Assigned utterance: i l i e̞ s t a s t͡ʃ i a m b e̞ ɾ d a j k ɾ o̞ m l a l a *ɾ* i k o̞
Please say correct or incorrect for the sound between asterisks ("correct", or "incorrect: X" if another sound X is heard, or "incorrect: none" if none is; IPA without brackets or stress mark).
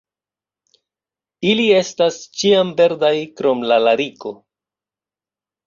correct